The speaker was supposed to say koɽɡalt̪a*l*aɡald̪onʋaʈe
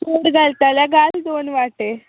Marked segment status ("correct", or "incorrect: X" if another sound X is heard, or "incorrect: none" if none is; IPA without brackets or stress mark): correct